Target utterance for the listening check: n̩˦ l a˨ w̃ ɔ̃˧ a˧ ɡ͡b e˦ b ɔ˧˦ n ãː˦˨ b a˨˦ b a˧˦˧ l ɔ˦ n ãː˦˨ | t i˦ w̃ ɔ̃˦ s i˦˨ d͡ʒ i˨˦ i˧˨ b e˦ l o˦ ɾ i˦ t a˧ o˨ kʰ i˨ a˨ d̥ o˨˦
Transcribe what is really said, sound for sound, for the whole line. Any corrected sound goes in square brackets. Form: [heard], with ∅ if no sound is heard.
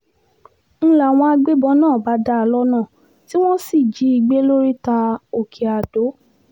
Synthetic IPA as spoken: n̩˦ l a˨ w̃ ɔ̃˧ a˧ ɡ͡b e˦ b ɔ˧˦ n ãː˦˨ b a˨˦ [d] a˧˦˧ l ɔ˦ n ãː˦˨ | t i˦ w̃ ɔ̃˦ s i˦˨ d͡ʒ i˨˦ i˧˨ [ɡ͡b] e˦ l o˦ ɾ i˦ t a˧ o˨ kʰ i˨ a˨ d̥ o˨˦